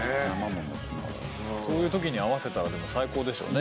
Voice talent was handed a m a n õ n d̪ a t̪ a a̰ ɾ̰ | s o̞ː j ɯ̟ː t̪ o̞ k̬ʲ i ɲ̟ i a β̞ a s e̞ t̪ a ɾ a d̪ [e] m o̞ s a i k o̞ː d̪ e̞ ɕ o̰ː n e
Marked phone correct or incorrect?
correct